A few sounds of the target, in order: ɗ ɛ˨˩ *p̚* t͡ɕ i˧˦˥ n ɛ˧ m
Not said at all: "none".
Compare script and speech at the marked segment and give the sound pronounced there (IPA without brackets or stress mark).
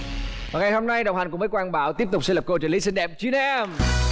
p̚